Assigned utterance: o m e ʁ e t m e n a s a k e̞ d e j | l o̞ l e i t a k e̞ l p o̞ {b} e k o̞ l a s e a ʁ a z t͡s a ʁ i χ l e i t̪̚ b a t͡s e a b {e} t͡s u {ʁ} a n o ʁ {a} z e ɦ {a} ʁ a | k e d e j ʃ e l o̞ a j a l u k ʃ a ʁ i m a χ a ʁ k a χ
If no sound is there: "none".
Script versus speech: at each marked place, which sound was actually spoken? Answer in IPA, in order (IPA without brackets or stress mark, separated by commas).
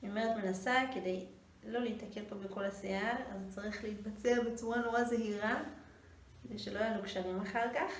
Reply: b, e, ʁ, a, i